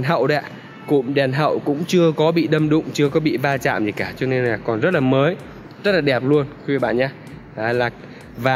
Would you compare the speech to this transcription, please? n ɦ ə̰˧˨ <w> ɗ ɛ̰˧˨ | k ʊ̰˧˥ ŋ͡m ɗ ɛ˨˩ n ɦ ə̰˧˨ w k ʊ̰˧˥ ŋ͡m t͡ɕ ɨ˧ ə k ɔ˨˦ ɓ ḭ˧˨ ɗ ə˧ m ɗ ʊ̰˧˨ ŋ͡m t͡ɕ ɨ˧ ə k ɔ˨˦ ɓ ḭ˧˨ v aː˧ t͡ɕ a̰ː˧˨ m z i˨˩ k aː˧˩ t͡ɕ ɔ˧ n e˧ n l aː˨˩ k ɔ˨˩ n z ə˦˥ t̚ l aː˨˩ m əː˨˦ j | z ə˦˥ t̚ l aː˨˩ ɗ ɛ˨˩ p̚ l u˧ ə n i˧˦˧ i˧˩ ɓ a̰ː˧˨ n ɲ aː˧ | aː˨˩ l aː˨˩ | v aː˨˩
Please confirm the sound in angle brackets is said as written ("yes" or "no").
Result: yes